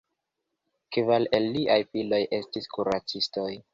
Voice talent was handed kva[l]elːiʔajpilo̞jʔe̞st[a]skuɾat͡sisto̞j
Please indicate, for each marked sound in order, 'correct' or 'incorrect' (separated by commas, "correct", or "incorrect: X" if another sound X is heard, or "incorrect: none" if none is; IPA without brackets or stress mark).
correct, incorrect: i